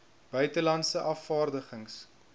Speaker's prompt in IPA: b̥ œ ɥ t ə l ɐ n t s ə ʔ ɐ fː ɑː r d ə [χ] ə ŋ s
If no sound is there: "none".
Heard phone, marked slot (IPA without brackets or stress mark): χ